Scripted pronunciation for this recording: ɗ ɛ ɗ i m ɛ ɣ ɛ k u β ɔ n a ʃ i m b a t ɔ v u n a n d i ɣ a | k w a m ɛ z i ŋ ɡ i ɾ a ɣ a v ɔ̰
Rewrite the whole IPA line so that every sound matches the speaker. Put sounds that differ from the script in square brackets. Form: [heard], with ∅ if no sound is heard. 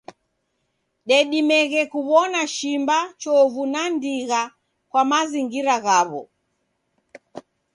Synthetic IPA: ɗ ɛ ɗ i m ɛ ɣ ɛ k u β ɔ n a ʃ i m b a [t͡ʃ] ɔ v u n a n d i ɣ a | k w a m [a] z i ŋ ɡ i ɾ a ɣ a [β] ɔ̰